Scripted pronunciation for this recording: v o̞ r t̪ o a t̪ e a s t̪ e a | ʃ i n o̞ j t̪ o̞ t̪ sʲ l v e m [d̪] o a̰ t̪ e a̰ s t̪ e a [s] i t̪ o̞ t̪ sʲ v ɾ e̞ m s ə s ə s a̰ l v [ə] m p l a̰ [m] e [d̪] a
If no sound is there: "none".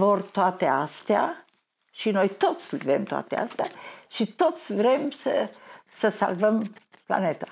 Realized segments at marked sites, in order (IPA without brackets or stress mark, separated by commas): t̪, ʃ, ə, n, t̪